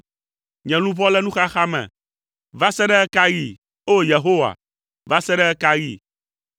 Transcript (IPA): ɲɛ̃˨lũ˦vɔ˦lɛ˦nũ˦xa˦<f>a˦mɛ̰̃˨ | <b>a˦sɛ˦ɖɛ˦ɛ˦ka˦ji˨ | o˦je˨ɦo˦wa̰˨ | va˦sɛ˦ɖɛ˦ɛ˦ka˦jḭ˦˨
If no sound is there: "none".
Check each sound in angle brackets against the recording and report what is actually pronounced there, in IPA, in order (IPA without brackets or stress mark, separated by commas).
x, v